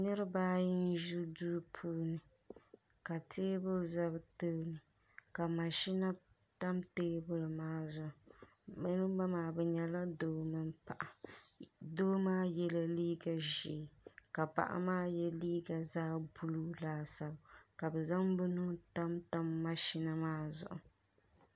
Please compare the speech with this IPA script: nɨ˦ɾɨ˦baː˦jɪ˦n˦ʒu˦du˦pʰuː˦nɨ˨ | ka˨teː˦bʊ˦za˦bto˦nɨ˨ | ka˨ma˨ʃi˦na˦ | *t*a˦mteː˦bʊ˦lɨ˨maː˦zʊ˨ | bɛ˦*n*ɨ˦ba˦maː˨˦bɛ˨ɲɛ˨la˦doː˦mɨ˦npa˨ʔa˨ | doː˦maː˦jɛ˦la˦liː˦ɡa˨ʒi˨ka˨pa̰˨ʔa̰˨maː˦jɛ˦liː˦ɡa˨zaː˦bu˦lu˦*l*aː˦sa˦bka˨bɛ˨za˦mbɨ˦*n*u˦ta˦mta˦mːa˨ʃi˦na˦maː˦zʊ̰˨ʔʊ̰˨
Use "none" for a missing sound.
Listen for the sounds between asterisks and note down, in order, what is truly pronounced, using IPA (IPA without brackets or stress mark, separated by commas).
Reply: t, n, l, n